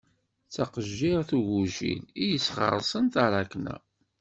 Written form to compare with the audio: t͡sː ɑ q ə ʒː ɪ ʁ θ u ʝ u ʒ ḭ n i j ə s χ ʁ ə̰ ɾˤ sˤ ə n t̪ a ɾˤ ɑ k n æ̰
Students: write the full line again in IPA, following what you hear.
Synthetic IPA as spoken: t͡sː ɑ q ə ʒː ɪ ʁ θ u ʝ u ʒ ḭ n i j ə s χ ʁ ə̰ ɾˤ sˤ ə n t̪ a ɾˤ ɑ k n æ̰

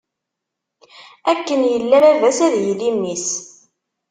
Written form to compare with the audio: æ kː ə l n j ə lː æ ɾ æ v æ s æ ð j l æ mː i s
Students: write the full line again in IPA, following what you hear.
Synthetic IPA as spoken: æ kː ə n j ə lː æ ɾ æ v æ s æ ð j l i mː i s

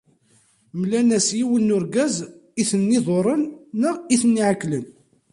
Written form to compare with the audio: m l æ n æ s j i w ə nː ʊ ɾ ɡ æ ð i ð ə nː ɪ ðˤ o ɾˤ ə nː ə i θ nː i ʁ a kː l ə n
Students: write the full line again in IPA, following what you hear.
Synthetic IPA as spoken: m l æ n æ s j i w ə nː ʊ ɾ ɡ æ z i θ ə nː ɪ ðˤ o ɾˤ ə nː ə i θ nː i ʕ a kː l ə n

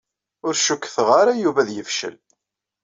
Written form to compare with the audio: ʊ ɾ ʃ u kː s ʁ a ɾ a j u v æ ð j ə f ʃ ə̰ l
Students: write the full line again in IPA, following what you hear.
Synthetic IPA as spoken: ʊ ɾ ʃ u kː θ ʁ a ɾ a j u v æ ð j ə f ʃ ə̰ l

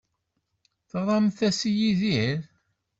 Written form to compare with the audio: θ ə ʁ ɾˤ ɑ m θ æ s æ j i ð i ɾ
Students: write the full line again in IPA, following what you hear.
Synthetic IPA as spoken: θ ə ʁ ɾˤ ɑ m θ æ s i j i ð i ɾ

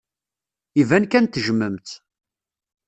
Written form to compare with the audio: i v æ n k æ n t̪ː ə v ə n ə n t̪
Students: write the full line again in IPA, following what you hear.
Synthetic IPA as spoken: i v æ n k æ n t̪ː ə ʒ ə m ə m t̪

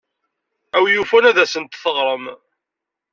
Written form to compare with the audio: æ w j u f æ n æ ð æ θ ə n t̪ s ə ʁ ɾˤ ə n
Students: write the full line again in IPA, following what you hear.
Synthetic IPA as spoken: æ w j u f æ n æ ð æ s ə n t̪ θ ə ʁ ɾˤ ə m

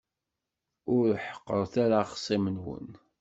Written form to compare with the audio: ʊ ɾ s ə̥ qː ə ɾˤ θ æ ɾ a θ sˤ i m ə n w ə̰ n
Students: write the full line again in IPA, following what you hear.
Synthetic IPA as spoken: ʊ ɾ ħ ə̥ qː ə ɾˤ θ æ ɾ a χ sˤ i m ə n w ə̰ n

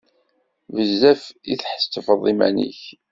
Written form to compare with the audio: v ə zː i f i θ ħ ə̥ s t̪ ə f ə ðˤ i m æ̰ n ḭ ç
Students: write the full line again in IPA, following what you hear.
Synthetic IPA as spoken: v ə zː æ f i θ ħ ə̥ s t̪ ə f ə ðˤ i m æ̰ n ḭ ç

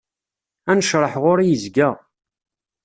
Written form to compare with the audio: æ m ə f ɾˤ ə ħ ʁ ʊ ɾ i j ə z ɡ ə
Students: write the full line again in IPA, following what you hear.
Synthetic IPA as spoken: æ n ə ʃ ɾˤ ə ħ ʁ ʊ ɾ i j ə z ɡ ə

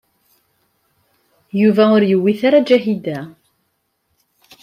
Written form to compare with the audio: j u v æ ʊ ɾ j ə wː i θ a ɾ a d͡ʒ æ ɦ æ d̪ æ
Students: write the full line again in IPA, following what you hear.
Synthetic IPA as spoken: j u v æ ʊ ɾ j ə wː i θ a ɾ a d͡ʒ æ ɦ i d̪ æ

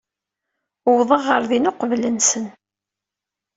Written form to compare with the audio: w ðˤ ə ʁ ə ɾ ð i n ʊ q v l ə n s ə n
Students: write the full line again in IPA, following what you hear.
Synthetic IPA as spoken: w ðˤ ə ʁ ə ɾ ð i n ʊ q v l ə n s ə n

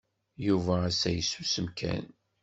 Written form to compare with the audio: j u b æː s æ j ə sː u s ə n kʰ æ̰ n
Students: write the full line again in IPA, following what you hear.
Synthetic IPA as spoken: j u v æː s æ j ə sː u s ə m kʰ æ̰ n

